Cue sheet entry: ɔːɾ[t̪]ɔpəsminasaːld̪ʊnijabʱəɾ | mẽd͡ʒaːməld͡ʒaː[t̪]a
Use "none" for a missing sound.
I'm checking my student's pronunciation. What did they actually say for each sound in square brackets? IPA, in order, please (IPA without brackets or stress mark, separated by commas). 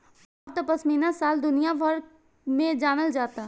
t̪, t̪